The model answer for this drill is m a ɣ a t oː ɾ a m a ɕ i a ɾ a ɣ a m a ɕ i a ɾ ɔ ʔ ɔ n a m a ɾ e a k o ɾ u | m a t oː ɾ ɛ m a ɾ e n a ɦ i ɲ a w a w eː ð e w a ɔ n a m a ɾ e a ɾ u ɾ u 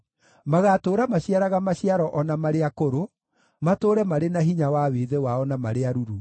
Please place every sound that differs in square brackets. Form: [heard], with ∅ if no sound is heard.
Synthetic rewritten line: m a ɣ a t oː ɾ a m a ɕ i a ɾ a ɣ a m a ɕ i a ɾ ɔ ʔ ɔ n a m a ɾ e a k o ɾ [o] | m a t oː ɾ ɛ m a ɾ e n a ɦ i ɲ a w a w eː ð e w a ɔ n a m a ɾ e a ɾ u ɾ u